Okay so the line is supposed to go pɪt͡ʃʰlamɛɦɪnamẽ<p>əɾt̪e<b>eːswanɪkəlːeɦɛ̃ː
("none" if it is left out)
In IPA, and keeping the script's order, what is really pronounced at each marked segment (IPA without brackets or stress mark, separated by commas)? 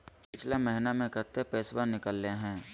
k, p